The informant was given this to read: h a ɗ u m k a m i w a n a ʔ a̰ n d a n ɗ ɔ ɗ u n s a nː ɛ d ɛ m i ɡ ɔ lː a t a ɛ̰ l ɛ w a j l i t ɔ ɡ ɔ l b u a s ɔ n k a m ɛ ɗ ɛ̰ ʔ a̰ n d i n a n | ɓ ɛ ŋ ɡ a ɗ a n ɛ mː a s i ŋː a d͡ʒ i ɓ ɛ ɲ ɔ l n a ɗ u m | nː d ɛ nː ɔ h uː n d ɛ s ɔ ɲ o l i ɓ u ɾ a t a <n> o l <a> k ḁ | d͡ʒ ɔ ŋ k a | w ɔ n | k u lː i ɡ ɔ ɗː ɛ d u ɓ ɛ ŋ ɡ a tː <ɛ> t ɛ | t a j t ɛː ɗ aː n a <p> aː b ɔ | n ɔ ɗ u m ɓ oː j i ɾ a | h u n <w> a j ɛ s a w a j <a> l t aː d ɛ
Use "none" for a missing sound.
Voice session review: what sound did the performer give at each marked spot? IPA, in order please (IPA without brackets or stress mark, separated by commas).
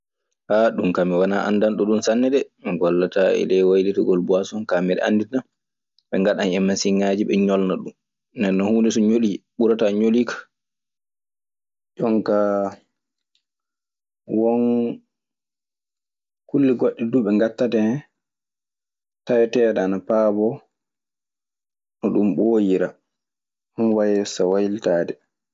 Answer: ɲ, i, a, p, w, i